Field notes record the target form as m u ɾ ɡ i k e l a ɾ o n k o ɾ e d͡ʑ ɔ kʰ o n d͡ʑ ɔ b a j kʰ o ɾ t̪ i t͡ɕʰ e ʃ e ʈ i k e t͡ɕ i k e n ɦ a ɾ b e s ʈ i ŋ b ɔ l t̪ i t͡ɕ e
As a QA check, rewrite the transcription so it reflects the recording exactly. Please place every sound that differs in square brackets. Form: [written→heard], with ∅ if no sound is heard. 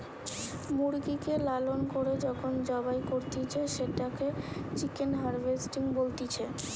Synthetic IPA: m u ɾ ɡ i k e l a [ɾ→l] o n k o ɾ e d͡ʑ ɔ kʰ o n d͡ʑ ɔ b a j [kʰ→k] o ɾ t̪ i t͡ɕʰ e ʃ e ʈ [i→a] k e t͡ɕ i k e n ɦ a ɾ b e s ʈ i ŋ b [ɔ→o] l t̪ i [t͡ɕ→t͡ɕʰ] e

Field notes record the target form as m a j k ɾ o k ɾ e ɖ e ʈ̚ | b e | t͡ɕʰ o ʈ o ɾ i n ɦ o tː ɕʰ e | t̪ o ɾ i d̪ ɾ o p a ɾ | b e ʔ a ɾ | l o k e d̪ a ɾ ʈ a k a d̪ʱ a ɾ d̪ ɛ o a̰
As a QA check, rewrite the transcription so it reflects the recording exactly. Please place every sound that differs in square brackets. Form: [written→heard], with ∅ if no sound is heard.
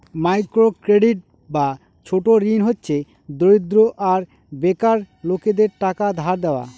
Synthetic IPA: m a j k ɾ o k ɾ e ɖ [e→i] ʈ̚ | b [e→a] | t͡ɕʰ o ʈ o ɾ i n ɦ o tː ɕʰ e | [t̪→d̪] o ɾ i d̪ ɾ o [p→ʔ] a ɾ | b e [ʔ→k] a ɾ | l o k e d̪ [a→e] ɾ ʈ a k a d̪ʱ a ɾ d̪ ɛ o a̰

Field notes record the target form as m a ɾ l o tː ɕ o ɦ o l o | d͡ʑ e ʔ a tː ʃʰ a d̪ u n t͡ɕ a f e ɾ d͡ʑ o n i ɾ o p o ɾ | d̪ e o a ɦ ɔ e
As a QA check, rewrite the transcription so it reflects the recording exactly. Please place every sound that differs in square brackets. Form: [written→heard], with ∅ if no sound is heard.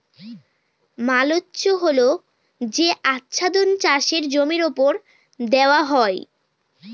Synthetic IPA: m a [ɾ→∅] l o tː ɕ o ɦ o l o | d͡ʑ e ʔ a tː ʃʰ a d̪ [u→o] n t͡ɕ a [f→ʃ] e ɾ d͡ʑ o [n→m] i ɾ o p o ɾ | d̪ e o a ɦ ɔ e

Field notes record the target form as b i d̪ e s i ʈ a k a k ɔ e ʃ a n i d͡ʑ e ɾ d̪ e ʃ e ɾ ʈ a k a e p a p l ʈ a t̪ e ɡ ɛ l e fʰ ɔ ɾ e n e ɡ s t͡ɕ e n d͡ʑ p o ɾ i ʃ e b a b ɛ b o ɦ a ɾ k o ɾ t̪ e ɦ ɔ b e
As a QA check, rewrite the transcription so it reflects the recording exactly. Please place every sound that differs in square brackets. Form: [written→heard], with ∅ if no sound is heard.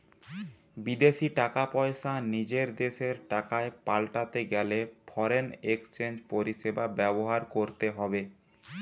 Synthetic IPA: b i d̪ e [s→ʃ] i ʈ a k a [k→p] ɔ e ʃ a n i d͡ʑ e ɾ d̪ e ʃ e ɾ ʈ a k a e p a [p→∅] l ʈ a t̪ e ɡ ɛ l e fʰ ɔ ɾ e n e [ɡ→k] s t͡ɕ e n d͡ʑ p o ɾ i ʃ e b a b ɛ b o ɦ a ɾ k o ɾ t̪ e ɦ ɔ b e

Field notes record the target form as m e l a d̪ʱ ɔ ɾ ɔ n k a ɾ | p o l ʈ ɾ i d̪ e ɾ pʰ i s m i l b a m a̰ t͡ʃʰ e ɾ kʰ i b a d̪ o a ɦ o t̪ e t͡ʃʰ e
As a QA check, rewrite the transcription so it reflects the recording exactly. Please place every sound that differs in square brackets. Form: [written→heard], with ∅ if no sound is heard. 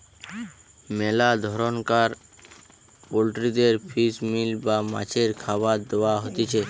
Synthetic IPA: m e l a d̪ʱ ɔ ɾ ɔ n k a ɾ | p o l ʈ ɾ i d̪ e ɾ pʰ i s m i l b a m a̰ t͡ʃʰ e ɾ kʰ [i→a] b a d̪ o a ɦ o t̪ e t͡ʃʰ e

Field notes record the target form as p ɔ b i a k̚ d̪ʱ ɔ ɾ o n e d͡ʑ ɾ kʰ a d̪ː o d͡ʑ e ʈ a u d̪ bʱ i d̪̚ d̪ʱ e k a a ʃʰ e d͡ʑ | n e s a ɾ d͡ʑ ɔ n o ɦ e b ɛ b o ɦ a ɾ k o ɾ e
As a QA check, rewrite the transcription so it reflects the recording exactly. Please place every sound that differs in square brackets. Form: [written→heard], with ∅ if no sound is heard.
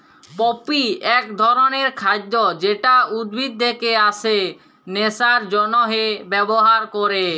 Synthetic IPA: p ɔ [b→p] i [a→ɛ] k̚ d̪ʱ ɔ ɾ o n e [d͡ʑ→∅] ɾ kʰ a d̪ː o d͡ʑ e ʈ a u d̪ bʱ i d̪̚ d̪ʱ e k [a→e] a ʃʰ e [d͡ʑ→∅] | n e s a ɾ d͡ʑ ɔ n o ɦ e b ɛ b o ɦ a ɾ k o ɾ e

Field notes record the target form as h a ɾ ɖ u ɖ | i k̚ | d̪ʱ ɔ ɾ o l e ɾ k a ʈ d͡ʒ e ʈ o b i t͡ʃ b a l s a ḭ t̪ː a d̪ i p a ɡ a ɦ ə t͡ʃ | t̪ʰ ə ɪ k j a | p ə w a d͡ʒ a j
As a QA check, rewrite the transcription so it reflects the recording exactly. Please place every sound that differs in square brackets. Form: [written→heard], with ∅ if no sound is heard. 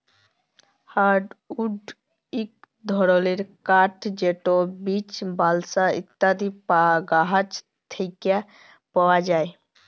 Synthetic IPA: h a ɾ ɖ u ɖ | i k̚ | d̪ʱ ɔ ɾ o l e ɾ k a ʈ d͡ʒ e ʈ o b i t͡ʃ b a l s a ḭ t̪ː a d̪ i p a ɡ a ɦ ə t͡ʃ | t̪ʰ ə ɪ k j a | p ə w a d͡ʒ a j

